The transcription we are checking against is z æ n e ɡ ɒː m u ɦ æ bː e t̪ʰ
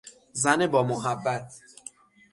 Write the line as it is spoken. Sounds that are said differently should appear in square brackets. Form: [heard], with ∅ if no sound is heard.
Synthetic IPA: z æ n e [b] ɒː m [o] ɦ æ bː [æ] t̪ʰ